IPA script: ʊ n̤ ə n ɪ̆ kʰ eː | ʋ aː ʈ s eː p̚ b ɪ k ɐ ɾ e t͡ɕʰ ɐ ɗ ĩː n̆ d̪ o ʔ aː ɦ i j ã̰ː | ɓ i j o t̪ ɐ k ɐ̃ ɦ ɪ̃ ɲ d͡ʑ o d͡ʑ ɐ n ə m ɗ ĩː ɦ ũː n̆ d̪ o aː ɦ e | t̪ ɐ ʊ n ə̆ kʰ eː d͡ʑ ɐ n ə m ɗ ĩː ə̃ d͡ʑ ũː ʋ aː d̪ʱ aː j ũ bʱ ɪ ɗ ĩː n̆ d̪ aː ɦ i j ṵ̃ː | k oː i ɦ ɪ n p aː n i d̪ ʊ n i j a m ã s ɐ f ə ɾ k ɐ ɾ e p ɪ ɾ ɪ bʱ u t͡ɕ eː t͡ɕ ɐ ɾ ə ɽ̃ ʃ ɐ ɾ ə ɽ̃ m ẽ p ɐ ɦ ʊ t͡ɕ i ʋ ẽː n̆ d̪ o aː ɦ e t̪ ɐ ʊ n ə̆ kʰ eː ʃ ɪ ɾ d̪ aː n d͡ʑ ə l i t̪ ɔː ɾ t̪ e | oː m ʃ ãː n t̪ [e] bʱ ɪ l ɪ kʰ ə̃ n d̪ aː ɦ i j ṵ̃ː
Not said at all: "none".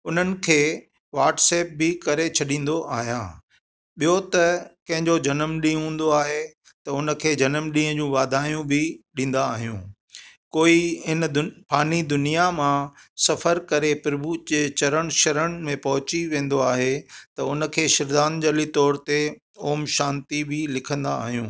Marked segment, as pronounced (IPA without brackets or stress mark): i